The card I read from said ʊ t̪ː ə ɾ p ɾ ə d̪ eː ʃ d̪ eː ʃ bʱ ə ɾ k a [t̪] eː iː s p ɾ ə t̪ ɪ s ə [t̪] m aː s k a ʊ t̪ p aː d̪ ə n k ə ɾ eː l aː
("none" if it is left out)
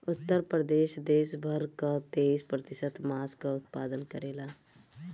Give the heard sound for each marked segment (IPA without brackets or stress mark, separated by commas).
t̪, t̪